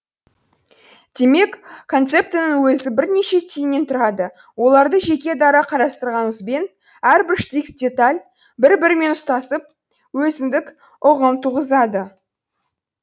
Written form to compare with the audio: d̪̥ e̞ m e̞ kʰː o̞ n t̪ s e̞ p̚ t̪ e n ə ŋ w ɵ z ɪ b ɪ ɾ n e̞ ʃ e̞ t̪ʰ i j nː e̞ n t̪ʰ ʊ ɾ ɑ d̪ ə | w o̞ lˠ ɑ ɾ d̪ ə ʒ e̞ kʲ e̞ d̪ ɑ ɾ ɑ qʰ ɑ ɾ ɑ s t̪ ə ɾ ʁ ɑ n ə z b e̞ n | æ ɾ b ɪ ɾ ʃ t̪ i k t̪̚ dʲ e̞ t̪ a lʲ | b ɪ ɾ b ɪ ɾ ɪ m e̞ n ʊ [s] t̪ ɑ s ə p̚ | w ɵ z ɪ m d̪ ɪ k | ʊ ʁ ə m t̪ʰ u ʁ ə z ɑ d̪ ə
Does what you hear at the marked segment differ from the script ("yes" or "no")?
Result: no